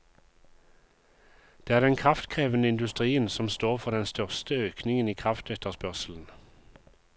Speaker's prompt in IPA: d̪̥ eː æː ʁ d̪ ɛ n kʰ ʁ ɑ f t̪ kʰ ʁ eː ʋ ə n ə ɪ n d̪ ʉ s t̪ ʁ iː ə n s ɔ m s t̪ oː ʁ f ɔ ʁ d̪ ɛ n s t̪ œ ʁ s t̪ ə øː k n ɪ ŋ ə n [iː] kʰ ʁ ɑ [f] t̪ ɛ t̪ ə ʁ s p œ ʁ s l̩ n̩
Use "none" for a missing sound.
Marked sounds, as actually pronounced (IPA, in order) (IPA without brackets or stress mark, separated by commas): iː, f